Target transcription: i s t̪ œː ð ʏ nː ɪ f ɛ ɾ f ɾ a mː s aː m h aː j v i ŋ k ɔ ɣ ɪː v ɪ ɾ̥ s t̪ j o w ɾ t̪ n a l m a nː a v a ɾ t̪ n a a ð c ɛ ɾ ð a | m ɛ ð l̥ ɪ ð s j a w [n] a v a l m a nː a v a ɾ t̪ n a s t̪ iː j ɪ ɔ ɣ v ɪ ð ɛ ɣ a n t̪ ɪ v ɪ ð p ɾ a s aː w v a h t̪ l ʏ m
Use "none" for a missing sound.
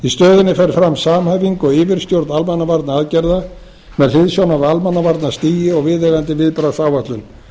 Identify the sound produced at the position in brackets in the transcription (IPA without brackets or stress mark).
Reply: n